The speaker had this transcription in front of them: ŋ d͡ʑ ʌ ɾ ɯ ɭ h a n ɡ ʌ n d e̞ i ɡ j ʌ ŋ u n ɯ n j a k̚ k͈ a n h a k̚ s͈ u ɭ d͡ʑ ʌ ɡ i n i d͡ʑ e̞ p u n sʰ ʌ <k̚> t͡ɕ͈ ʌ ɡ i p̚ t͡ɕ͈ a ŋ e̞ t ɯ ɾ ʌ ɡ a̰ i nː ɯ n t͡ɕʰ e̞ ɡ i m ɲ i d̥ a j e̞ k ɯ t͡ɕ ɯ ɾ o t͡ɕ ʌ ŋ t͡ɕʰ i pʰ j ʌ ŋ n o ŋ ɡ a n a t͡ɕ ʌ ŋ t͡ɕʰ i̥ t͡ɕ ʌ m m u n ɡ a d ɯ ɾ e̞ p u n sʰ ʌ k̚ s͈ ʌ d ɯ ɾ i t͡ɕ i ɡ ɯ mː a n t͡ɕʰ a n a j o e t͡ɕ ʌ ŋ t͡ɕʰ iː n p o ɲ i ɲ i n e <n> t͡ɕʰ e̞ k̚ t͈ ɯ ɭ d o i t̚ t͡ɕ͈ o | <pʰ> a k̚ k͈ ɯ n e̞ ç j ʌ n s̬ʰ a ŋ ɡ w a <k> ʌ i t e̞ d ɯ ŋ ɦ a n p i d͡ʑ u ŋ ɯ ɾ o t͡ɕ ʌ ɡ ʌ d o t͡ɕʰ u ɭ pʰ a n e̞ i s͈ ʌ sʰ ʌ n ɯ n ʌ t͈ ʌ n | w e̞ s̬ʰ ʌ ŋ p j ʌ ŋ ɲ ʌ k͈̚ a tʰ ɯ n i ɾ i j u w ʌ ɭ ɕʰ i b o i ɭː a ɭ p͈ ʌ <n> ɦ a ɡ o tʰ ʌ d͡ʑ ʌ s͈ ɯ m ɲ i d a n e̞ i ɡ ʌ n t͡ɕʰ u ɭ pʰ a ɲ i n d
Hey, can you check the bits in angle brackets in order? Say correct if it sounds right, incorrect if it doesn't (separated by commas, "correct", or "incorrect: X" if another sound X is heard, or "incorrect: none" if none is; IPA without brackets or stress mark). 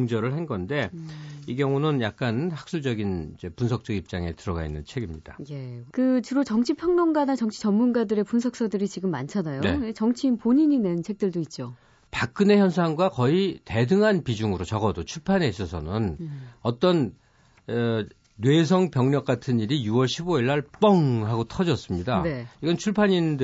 correct, correct, incorrect: p, correct, incorrect: ŋ